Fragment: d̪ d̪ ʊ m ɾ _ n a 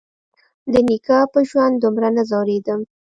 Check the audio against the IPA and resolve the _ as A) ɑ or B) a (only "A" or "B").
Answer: B